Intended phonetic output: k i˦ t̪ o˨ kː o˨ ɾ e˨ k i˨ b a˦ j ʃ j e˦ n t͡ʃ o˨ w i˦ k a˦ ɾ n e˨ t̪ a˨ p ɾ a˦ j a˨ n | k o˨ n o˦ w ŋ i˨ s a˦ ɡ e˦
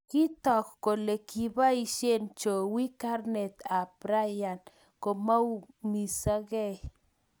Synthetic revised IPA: k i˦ t̪ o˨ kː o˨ l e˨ k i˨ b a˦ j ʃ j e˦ n t͡ʃ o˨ w i˦ k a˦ ɾ n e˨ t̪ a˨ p ɾ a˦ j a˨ n | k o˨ m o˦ w m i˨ s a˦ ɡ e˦